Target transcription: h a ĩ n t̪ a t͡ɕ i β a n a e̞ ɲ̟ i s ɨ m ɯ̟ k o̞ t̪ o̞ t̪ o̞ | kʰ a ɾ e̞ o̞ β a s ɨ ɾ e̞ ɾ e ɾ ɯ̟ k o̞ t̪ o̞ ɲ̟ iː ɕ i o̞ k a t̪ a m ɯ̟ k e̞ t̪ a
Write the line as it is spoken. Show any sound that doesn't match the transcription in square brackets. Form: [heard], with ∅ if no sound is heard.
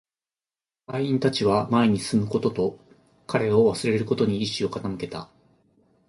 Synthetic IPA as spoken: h a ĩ n t̪ a t͡ɕ i β a [m] a e̞ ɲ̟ i s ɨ m ɯ̟ k o̞ t̪ o̞ t̪ o̞ | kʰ a ɾ e̞ o̞ β a s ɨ ɾ e̞ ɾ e ɾ ɯ̟ k o̞ t̪ o̞ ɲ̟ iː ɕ i o̞ k a t̪ a m ɯ̟ k e̞ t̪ a